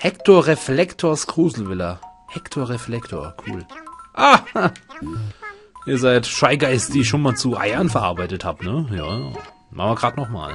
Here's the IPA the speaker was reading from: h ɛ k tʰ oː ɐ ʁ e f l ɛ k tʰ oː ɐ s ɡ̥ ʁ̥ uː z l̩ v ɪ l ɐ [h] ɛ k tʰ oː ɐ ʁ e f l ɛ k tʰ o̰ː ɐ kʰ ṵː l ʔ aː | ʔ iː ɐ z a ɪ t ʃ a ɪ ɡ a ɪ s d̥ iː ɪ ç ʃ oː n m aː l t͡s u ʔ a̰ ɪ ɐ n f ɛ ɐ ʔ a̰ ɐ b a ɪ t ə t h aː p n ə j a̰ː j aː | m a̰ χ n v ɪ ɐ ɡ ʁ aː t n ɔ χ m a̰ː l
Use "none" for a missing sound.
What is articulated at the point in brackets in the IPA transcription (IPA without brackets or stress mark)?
h